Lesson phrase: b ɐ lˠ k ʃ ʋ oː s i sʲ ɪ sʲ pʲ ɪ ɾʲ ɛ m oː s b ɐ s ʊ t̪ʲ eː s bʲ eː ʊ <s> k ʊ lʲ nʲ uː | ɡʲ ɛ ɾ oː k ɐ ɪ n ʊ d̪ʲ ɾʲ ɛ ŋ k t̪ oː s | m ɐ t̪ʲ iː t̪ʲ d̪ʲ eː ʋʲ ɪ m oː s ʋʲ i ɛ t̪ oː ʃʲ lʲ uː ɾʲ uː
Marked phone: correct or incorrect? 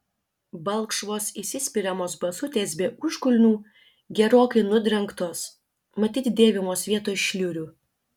incorrect